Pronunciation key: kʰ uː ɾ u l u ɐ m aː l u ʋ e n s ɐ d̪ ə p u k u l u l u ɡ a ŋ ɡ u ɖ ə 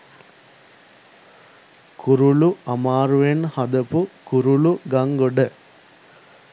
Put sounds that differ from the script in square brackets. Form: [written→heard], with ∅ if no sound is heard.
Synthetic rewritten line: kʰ [uː→u] ɾ u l u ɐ m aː [l→ɾ] u ʋ e n [s→h] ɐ d̪ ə p u k u [l→ɾ] u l u ɡ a ŋ ɡ [u→o] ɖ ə

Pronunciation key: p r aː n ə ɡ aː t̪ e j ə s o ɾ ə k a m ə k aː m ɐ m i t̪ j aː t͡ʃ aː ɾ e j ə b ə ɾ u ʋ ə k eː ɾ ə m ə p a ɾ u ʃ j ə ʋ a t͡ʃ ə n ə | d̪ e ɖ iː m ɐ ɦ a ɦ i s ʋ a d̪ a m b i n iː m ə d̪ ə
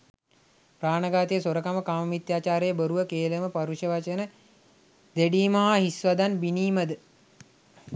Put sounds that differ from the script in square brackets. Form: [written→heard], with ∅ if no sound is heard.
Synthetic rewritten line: p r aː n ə ɡ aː t̪ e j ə s o ɾ ə k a m ə k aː m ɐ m i t̪ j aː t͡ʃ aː ɾ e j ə b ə ɾ u ʋ ə k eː [ɾ→l] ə m ə p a ɾ u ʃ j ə ʋ a t͡ʃ ə n ə | d̪ e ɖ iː m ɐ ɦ a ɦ i s ʋ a d̪ a [m→n] b i n iː m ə d̪ ə

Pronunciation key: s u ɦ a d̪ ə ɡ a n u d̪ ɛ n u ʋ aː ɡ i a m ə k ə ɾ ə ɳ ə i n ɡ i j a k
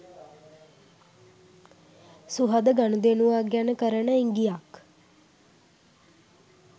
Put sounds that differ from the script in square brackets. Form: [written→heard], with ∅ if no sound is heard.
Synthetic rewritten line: s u ɦ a d̪ ə ɡ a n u d̪ [ɛ→e] n u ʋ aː ɡ [i→j] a [m→n] ə k ə ɾ ə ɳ ə i [n→ŋ] ɡ i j a k

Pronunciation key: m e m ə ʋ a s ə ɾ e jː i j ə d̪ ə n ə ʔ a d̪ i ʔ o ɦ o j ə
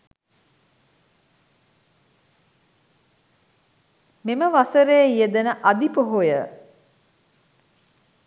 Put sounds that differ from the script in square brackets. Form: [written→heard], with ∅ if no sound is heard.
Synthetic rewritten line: m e m ə ʋ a s ə ɾ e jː i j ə d̪ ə n ə ʔ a d̪ i [ʔ→p] o ɦ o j ə

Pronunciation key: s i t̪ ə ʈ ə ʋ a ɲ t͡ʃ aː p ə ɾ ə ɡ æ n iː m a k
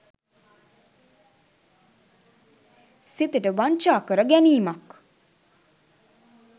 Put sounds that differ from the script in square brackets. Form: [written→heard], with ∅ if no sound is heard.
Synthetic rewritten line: s i t̪ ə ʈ ə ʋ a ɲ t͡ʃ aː [p→k] ə ɾ ə ɡ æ n iː m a k

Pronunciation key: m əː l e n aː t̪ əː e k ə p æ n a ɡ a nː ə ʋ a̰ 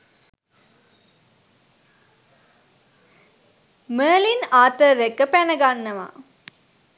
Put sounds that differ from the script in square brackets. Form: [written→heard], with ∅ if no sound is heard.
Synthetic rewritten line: m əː l [e→i] n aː t̪ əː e k ə p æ n [a→ə] ɡ a nː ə ʋ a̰

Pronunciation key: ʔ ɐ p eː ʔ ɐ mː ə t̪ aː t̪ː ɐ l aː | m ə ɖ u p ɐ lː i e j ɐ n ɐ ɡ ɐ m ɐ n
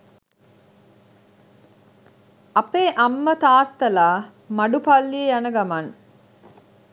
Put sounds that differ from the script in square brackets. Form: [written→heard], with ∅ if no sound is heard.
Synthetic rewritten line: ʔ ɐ p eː ʔ ɐ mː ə t̪ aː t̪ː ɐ l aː | m [ə→ɐ] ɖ u p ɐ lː i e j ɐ n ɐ ɡ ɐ m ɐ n

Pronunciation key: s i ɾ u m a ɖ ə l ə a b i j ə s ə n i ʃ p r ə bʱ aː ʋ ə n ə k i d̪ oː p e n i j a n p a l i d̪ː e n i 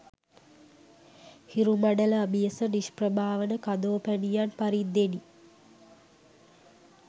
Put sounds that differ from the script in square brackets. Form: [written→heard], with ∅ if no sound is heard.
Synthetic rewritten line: [s→h] i ɾ u m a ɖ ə l ə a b i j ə s ə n i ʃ p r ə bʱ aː ʋ ə n ə k [i→a] d̪ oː p [e→æ] n i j a n p a [l→ɾ] i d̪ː e n i

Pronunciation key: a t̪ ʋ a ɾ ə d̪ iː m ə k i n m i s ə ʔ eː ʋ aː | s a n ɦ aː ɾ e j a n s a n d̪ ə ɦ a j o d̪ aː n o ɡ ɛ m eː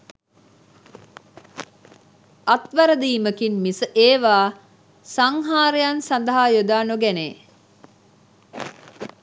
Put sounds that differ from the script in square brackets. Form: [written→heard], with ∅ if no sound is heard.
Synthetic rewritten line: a t̪ ʋ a ɾ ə d̪ iː m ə k i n m i s ə ʔ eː ʋ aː | s a [n→ŋ] ɦ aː ɾ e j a n s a n d̪ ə ɦ a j o d̪ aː n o ɡ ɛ [m→n] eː

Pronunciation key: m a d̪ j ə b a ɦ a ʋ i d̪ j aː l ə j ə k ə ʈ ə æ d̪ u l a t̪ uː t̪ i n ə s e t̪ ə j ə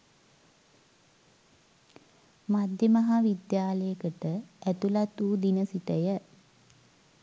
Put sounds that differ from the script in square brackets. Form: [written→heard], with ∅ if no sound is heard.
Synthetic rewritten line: m a d̪ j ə [b→m] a ɦ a ʋ i d̪ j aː l ə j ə k ə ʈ ə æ [d̪→t̪] u l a t̪ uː [t̪→d̪] i n ə s [e→i] t̪ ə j ə

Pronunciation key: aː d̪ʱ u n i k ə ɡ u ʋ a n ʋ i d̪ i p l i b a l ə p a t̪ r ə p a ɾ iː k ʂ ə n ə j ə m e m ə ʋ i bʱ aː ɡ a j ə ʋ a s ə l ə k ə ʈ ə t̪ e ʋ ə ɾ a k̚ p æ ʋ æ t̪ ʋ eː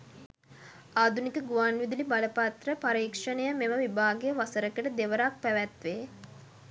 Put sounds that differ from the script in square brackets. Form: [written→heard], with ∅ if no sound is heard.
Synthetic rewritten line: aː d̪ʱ u n i k ə ɡ u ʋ a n ʋ i d̪ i [p→∅] l i b a l ə p a t̪ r ə p a ɾ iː k ʂ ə n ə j ə m e m ə ʋ i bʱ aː ɡ [a→e] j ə ʋ a s ə [l→ɾ] ə k ə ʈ ə [t̪→d̪] e ʋ ə ɾ a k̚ p æ ʋ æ t̪ ʋ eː

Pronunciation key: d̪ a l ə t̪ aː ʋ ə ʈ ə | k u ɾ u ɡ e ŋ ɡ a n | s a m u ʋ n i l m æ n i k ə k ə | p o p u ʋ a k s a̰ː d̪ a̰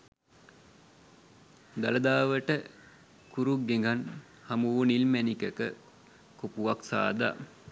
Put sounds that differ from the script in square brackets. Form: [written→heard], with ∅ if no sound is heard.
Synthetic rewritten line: d̪ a l ə [t̪→d̪] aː ʋ ə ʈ ə | k u ɾ u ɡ e ŋ ɡ a n | [s→h] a m u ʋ n i l m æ n i k ə k ə | [p→k] o p u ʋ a k s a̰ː d̪ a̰

